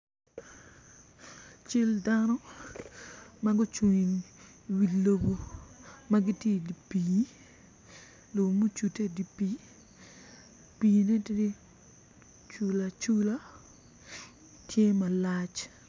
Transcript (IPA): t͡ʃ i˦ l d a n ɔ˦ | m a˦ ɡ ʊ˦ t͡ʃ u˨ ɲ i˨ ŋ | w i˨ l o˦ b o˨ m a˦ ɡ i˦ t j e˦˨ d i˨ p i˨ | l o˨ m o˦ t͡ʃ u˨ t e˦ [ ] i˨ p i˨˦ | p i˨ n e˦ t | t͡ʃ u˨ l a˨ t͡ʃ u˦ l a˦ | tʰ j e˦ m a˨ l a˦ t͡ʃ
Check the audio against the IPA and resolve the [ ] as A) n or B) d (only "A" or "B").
B